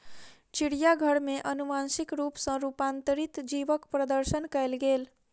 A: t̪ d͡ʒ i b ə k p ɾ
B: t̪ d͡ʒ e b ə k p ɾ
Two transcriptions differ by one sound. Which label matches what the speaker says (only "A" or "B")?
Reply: A